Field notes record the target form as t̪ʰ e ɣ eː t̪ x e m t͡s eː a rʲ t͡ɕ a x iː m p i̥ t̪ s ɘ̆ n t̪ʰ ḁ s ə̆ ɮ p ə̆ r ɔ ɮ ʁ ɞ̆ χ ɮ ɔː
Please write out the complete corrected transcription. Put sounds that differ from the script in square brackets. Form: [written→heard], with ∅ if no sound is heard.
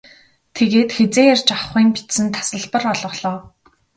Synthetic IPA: t̪ʰ e ɣ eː t̪ x e [m→∅] t͡s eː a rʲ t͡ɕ a [x→χ] iː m p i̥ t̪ s ɘ̆ n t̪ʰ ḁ s ə̆ ɮ p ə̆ r ɔ ɮ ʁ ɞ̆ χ ɮ ɔː